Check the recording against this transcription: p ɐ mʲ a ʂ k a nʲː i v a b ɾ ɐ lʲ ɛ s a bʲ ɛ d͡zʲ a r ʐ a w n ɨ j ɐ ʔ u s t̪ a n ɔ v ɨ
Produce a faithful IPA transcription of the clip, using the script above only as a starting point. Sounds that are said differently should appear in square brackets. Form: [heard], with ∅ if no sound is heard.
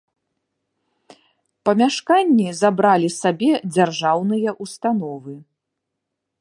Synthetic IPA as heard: p ɐ mʲ a ʂ k a nʲː i [z] a b ɾ [a] lʲ [i] s a bʲ ɛ d͡zʲ a r ʐ a w n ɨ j ɐ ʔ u s t̪ a n ɔ v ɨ